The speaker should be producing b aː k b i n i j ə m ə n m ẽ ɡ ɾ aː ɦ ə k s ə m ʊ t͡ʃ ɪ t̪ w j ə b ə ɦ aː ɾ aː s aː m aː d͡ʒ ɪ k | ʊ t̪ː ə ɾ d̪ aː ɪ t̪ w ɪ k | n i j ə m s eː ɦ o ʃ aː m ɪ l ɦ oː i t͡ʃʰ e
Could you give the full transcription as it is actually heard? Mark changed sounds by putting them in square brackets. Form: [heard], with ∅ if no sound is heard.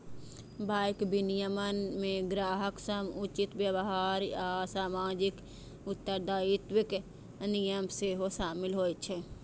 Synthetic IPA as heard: b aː k b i n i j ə m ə n m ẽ ɡ ɾ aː ɦ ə k s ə m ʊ t͡ʃ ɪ t̪ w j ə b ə ɦ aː ɾ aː s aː m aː d͡ʒ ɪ k | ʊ t̪ː ə ɾ d̪ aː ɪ t̪ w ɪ k | n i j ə m s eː ɦ o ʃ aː m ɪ l ɦ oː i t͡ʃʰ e